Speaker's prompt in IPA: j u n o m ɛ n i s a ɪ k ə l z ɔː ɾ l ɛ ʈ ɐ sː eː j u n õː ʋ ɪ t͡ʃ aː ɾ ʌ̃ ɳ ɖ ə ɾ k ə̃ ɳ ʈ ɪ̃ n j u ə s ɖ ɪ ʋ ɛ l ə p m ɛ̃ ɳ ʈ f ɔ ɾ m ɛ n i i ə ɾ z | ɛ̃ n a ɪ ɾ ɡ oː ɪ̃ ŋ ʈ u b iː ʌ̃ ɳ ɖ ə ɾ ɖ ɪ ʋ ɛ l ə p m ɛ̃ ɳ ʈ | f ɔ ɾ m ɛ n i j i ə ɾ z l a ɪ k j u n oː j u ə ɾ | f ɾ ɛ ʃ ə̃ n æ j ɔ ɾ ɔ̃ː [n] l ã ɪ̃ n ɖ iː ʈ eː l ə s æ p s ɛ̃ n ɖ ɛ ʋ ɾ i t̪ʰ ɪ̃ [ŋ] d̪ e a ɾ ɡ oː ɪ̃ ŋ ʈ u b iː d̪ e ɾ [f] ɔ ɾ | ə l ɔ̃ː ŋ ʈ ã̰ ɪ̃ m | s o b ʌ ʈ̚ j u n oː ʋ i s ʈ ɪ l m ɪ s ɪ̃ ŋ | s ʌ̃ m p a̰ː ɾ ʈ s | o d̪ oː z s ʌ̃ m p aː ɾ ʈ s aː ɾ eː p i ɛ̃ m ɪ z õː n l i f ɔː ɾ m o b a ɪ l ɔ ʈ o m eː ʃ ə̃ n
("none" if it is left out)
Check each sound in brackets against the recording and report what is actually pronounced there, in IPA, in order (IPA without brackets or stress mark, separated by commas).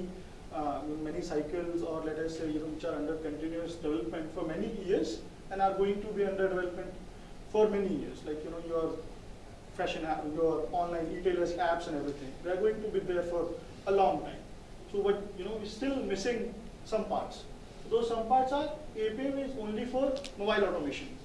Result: n, ŋ, f